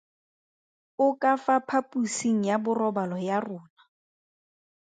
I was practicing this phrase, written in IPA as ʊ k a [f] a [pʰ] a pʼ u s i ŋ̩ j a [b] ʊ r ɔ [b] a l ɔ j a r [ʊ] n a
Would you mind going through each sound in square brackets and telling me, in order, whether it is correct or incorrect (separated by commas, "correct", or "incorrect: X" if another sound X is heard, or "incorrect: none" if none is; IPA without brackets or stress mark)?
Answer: correct, correct, correct, correct, incorrect: ʊː